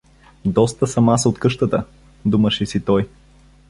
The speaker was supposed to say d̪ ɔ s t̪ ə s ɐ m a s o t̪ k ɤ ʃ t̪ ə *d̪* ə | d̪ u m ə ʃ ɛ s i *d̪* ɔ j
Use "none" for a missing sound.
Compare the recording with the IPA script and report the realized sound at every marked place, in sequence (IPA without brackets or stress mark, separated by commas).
t̪, t̪